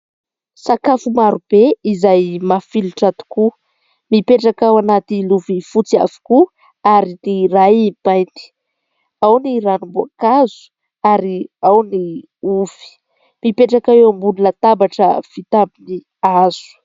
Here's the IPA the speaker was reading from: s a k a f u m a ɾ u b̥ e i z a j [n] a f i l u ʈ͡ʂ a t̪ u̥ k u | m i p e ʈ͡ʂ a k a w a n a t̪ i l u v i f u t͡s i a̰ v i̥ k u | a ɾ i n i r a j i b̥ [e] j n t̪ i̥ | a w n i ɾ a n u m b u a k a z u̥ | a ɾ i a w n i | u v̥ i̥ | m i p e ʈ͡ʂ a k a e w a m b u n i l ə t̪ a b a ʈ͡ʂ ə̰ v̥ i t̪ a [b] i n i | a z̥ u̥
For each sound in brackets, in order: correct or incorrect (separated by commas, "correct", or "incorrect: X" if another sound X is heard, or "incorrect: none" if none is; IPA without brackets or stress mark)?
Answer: incorrect: m, incorrect: a, correct